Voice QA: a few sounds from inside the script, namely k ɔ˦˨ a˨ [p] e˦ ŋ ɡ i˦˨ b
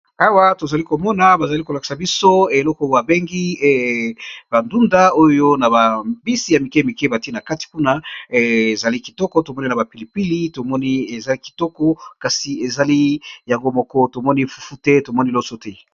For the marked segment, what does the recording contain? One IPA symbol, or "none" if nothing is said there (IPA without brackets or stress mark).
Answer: b